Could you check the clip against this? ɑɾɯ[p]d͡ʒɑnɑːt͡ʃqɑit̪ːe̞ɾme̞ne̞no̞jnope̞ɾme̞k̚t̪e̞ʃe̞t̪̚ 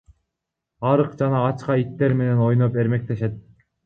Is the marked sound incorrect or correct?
incorrect